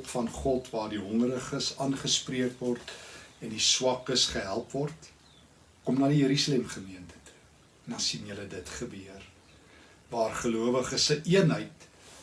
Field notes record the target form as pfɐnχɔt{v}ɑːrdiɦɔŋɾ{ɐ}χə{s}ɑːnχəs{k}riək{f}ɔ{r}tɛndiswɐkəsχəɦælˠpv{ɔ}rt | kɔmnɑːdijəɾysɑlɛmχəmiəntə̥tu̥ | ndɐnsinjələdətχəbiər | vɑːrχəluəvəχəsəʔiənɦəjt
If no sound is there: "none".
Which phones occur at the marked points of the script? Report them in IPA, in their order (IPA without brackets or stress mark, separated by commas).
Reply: v, ə, s, p, v, r, ɔ